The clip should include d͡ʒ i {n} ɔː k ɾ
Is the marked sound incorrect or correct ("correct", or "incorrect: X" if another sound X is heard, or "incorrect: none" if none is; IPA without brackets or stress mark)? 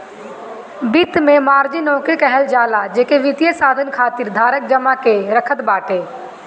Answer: correct